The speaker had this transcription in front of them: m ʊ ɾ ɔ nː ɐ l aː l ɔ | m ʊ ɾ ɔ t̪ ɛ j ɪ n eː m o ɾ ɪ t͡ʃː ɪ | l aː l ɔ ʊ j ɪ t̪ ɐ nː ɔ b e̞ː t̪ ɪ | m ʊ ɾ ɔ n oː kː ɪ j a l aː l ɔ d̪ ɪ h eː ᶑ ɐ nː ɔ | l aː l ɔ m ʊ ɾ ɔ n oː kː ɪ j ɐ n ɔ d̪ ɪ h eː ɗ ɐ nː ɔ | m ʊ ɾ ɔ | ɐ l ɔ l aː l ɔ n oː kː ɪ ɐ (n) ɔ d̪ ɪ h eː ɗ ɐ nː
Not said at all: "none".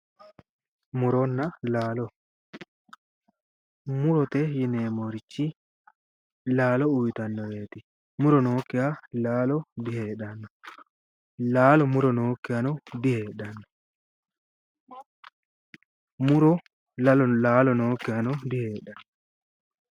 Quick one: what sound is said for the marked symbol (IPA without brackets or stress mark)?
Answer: n